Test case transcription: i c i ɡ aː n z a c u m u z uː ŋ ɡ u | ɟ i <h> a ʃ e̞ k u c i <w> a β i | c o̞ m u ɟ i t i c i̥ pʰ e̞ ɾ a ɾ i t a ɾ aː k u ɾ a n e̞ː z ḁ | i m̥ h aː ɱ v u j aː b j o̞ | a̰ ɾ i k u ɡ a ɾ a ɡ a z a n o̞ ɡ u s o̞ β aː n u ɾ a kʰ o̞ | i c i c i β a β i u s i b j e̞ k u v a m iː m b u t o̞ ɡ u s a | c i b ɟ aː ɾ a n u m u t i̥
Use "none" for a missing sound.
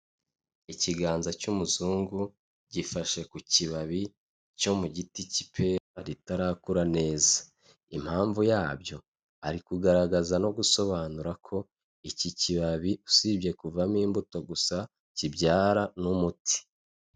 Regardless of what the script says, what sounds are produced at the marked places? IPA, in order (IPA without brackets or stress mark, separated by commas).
f, β